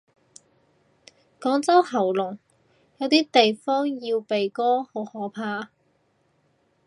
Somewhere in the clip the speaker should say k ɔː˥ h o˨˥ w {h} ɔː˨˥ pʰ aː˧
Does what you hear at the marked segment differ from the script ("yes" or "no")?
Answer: no